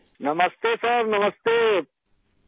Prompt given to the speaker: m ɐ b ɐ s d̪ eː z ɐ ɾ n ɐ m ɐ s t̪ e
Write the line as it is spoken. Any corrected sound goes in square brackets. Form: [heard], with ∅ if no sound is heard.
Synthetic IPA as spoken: [n] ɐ [m] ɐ s [t̪] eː [s] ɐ ɾ n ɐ m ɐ s t̪ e